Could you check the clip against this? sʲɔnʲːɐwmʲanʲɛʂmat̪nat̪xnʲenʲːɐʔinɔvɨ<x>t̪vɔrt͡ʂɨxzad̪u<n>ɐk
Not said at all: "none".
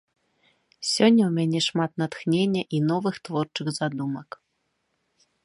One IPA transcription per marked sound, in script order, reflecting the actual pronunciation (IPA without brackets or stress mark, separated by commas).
x, m